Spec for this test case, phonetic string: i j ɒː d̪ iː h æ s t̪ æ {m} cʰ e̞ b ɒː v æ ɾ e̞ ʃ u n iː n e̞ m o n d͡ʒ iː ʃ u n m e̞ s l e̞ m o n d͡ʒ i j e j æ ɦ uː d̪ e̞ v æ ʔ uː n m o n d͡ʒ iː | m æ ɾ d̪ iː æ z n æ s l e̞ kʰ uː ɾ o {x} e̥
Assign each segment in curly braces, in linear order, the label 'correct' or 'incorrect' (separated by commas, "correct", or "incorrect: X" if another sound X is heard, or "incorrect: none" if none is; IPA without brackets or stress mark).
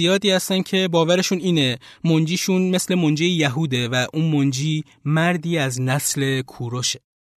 incorrect: n, incorrect: ʃ